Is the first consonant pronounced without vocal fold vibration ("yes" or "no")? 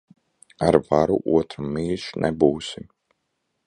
no